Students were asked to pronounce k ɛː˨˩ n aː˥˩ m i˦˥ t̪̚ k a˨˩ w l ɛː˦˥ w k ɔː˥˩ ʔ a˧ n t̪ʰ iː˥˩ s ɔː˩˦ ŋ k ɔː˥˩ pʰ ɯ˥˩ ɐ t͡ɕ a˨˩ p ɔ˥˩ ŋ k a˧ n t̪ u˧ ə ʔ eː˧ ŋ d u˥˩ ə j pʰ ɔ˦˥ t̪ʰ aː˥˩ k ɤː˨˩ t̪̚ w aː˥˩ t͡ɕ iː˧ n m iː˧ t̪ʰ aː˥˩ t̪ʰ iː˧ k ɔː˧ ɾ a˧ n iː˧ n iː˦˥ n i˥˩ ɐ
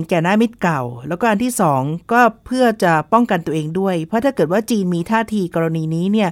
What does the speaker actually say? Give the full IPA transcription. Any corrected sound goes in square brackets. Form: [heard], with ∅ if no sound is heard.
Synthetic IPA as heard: k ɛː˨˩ n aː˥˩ m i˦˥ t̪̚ k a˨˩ w l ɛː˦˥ w k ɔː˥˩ ʔ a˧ n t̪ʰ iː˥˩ s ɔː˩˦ ŋ k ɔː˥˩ pʰ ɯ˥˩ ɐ t͡ɕ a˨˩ p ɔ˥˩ ŋ k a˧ n t̪ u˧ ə ʔ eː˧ ŋ d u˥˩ ə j pʰ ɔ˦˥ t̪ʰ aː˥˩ k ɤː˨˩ t̪̚ w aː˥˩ t͡ɕ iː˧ n m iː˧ t̪ʰ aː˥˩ t̪ʰ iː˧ k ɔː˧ ɾ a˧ n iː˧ n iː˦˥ n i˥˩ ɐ